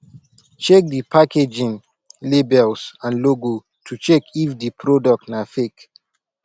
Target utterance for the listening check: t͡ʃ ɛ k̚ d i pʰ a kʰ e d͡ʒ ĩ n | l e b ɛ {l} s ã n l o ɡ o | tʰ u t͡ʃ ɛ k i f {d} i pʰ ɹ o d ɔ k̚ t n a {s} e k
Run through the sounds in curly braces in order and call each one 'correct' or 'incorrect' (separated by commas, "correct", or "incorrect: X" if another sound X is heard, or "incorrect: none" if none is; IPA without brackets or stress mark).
correct, correct, incorrect: f